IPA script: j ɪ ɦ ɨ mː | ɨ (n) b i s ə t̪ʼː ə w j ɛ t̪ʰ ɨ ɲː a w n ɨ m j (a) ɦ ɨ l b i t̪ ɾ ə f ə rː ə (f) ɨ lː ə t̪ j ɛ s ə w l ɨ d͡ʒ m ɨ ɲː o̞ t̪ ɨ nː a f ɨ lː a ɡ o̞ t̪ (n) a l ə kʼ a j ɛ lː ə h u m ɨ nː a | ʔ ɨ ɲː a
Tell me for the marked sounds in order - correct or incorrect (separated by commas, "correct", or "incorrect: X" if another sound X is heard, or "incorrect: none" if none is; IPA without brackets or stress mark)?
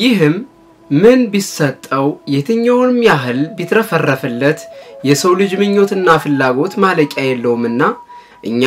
correct, correct, correct, incorrect: m